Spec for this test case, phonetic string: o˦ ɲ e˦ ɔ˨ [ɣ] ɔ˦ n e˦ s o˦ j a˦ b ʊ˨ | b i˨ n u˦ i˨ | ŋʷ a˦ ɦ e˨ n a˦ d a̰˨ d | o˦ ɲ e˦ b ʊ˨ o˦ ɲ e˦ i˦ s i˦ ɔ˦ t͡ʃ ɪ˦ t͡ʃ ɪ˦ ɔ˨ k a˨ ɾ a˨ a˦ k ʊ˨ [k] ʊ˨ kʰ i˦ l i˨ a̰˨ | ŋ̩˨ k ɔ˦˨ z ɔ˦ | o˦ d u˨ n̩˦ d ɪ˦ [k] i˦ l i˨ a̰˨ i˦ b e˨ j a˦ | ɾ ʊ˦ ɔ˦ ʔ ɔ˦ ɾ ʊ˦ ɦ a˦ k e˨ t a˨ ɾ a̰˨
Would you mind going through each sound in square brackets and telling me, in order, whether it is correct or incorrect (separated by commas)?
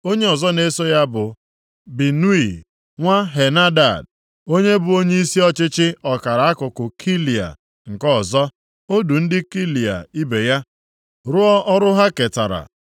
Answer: incorrect, correct, correct